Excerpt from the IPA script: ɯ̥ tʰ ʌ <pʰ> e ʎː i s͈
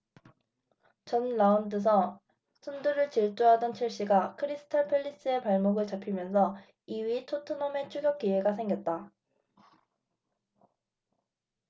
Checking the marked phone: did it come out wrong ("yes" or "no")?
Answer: no